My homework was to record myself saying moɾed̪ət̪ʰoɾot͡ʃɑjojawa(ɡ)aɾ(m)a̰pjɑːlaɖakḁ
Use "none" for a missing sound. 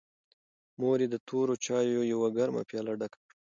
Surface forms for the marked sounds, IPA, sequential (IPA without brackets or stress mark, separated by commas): ɡ, m